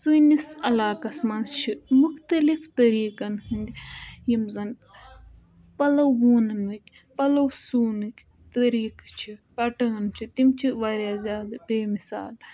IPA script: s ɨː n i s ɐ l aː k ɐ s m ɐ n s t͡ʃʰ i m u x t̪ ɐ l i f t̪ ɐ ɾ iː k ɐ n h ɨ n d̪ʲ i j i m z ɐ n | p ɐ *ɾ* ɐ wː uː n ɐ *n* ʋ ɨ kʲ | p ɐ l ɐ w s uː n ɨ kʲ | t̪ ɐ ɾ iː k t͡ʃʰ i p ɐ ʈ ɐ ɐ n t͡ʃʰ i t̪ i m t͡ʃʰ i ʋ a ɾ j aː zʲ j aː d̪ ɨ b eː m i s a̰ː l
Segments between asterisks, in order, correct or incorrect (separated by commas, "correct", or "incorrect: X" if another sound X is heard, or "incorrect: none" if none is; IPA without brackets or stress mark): incorrect: l, correct